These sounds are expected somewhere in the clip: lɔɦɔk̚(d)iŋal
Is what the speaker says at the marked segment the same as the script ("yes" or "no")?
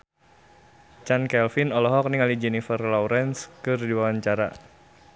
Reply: no